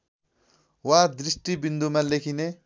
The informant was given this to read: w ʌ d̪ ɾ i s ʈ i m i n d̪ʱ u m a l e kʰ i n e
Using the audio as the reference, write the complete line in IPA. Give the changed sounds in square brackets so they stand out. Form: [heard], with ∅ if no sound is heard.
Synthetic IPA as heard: w [a] d̪ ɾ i s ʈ i [b] i n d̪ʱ u m a l e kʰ i n e